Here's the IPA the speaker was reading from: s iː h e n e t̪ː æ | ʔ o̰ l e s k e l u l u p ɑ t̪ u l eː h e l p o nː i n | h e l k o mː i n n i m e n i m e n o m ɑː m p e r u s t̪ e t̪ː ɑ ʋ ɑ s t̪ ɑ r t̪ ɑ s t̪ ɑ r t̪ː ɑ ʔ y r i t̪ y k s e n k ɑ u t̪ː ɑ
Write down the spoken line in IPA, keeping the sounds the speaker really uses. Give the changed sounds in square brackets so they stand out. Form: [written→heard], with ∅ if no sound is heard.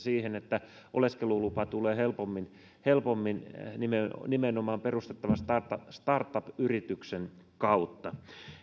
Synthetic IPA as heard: s iː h e n e t̪ː æ | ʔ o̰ l e s k e l u l u p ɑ t̪ u l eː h e l p o [nː→mː] i n | h e l [k→p] o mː i n n i m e n i m e n o m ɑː m p e r u s t̪ e t̪ː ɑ ʋ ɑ s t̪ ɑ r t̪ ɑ s t̪ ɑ r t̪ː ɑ [ʔ→p] y r i t̪ y k s e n k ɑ u t̪ː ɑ